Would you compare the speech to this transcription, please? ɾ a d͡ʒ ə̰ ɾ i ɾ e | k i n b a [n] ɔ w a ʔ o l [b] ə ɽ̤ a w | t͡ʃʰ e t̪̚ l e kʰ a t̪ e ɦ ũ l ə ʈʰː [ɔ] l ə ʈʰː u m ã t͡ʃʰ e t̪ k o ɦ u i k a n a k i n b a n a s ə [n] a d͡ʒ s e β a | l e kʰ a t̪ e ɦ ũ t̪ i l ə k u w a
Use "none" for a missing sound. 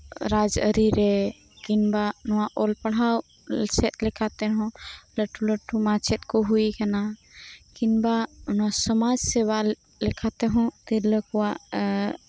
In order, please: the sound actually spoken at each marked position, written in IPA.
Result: n, p, u, m

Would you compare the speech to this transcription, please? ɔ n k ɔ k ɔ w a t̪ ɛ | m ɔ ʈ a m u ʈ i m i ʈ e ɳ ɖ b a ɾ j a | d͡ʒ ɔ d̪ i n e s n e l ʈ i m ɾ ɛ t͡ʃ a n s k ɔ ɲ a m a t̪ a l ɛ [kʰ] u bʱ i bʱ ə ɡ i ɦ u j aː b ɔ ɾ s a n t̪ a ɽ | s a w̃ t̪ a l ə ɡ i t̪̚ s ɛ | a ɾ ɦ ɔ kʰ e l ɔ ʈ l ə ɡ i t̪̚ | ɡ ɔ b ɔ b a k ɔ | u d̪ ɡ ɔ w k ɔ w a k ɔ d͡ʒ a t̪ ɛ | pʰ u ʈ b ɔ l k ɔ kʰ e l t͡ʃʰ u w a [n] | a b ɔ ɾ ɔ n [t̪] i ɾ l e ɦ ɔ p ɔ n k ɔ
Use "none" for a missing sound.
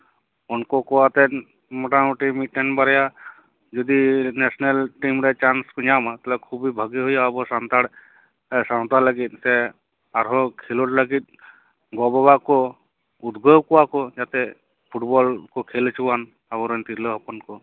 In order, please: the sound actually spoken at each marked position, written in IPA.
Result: kʰ, n, t̪

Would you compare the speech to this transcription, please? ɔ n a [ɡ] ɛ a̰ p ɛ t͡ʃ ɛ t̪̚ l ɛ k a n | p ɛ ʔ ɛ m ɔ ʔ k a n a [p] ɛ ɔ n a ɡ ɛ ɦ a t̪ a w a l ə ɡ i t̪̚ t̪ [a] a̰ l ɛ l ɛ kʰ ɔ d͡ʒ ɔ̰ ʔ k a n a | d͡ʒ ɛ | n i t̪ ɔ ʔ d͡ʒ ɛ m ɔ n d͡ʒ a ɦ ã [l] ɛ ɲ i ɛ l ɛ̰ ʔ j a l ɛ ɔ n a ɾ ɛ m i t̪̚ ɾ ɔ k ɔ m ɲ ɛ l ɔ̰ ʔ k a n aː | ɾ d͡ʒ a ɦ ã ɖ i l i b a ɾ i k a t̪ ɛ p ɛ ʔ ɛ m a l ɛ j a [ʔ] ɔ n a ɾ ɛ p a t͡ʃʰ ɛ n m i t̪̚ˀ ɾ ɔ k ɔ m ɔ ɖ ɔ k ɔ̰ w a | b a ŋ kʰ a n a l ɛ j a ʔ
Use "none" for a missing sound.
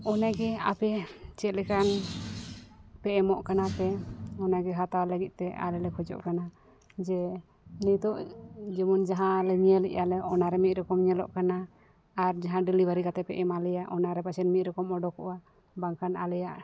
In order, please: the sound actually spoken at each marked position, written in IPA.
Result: ɡ, p, ɛ, l, ʔ

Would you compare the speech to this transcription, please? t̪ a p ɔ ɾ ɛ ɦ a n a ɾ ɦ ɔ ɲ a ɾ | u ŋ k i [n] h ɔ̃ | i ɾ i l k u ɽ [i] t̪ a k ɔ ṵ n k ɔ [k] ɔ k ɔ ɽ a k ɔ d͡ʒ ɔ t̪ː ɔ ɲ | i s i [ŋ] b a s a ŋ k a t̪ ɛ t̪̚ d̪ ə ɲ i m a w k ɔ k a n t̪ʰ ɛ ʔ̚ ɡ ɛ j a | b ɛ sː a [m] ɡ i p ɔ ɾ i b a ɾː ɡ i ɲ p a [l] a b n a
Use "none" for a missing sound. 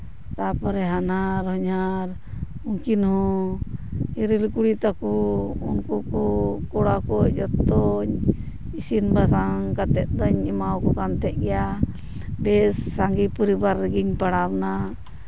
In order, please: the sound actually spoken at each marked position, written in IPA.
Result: n, i, k, n, ŋ, ɽ

